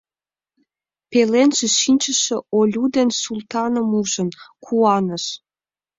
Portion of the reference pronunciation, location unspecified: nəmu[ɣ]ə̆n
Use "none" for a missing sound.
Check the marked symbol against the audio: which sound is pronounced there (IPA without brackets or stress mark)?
ʒ